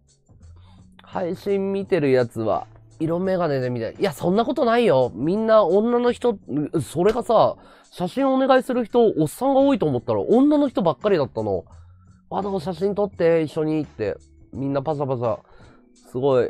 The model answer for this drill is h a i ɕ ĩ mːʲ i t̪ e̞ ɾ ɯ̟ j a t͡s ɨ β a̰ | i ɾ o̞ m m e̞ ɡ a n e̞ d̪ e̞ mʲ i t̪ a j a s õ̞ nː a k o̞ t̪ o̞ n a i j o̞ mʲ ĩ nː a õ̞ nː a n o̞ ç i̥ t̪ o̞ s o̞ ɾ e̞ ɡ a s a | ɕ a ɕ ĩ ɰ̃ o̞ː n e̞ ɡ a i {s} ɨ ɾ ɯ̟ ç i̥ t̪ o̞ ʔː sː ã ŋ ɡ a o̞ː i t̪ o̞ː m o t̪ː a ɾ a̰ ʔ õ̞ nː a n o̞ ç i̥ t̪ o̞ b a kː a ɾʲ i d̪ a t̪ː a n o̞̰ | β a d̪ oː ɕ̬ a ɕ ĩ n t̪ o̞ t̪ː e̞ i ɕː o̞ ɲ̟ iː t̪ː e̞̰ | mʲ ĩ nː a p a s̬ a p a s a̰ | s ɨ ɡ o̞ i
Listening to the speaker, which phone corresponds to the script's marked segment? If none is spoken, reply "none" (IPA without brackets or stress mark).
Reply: s